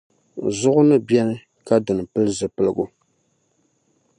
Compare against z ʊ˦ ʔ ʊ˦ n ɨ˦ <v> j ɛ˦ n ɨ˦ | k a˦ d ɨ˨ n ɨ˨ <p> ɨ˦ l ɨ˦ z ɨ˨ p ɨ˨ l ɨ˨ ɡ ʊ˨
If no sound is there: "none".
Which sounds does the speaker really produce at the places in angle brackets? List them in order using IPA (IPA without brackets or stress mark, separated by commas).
b, p